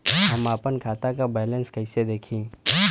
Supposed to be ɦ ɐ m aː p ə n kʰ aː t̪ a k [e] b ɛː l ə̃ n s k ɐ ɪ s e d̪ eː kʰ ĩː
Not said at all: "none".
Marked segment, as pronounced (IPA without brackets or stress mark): a